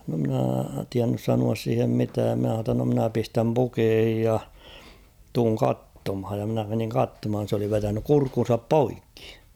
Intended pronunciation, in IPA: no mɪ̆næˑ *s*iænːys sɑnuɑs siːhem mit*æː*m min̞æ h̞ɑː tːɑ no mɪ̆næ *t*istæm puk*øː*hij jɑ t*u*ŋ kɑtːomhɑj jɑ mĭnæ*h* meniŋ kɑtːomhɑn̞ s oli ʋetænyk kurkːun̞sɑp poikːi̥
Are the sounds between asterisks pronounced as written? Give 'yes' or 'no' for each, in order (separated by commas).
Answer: no, yes, no, no, no, no